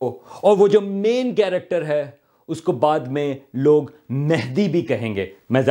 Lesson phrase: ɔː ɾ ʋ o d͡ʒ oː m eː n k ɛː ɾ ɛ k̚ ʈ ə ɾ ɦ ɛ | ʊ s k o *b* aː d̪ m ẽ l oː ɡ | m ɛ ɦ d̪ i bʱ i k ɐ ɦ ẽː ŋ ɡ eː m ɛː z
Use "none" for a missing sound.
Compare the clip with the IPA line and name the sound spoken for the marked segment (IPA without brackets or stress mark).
b